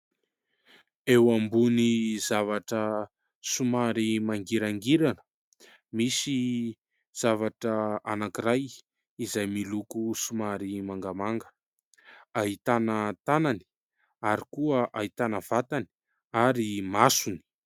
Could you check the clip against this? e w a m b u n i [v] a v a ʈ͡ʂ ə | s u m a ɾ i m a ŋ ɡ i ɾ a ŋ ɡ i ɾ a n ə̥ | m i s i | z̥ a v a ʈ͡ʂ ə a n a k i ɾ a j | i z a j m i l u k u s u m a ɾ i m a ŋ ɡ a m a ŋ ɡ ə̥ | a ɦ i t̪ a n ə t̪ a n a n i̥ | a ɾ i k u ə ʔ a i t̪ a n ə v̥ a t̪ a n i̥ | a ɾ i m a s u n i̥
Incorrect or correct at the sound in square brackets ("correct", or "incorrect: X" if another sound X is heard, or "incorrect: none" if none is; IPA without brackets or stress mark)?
incorrect: z